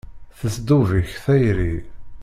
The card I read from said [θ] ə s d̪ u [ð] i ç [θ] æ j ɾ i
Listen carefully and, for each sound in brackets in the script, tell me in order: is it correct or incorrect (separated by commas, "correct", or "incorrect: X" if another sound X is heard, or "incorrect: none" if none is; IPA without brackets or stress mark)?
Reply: correct, incorrect: v, correct